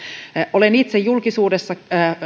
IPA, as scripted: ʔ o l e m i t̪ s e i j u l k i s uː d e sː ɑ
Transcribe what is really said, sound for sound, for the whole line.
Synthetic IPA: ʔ o l e n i t̪ s e j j u l k i s uː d e sː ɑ